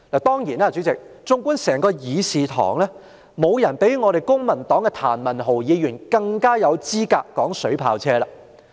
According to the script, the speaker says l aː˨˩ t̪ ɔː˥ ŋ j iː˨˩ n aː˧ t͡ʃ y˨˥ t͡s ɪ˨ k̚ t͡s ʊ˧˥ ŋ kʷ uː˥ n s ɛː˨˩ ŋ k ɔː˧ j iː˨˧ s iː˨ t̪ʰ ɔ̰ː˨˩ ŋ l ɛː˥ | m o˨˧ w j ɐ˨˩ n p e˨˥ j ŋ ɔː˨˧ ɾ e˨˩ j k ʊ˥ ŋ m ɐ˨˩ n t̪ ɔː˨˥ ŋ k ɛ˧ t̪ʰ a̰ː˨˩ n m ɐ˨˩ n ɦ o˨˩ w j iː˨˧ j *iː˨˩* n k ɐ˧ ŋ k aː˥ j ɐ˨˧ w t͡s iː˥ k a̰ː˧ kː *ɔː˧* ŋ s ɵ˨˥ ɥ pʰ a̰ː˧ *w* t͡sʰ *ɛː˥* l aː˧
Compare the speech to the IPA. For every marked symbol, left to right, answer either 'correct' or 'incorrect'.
incorrect: yː˨˩, incorrect: ɔː˨˥, correct, correct

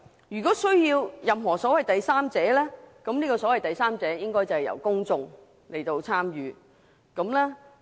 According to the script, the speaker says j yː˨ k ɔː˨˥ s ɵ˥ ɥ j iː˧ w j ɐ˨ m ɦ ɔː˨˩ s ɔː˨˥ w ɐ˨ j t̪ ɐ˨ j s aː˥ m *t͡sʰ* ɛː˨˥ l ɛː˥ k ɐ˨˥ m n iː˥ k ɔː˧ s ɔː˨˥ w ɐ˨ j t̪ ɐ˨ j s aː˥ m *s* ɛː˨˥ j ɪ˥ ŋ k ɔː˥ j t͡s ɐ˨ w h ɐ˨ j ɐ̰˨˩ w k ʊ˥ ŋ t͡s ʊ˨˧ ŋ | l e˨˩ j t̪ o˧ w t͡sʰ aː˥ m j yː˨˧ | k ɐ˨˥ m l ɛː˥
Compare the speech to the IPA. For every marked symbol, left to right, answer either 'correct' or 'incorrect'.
incorrect: t͡s, incorrect: t͡s

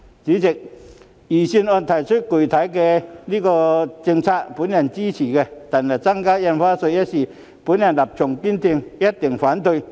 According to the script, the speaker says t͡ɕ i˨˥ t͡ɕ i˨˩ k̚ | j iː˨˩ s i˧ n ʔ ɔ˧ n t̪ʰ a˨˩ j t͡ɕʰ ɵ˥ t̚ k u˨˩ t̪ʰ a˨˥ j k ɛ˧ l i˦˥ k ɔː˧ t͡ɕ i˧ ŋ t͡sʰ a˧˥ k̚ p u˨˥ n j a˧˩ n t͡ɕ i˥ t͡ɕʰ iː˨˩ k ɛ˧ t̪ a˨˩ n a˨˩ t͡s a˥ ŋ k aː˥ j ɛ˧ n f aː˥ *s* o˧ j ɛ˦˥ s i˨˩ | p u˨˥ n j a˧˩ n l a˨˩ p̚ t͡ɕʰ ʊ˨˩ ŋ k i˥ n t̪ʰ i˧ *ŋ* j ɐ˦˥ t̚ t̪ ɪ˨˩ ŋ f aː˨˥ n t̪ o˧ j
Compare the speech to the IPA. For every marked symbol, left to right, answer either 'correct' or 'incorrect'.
correct, correct

